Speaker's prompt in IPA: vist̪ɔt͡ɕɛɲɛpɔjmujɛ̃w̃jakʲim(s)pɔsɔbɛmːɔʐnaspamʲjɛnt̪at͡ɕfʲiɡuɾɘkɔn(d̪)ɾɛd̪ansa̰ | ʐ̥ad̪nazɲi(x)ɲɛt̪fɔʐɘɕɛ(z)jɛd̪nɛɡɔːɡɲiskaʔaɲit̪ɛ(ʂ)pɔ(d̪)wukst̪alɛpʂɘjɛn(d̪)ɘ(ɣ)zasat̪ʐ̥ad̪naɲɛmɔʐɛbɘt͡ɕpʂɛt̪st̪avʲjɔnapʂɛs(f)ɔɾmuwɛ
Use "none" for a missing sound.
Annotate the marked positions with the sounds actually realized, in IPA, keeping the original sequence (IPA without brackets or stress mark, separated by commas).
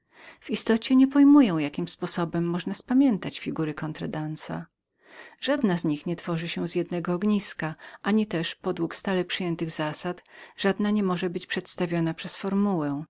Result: s, t̪, x, z, ʂ, d̪, t̪, ɣ, f